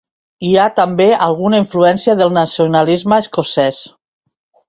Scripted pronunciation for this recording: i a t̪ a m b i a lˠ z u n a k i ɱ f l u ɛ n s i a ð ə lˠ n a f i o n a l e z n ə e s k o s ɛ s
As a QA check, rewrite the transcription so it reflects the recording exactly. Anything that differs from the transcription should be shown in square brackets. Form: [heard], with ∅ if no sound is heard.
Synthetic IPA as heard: i a t̪ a m b [e] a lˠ [ɣ] u n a [∅] i ɱ f l u ɛ n s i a ð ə lˠ n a [s] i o n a l [i] z [m] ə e s k o s ɛ s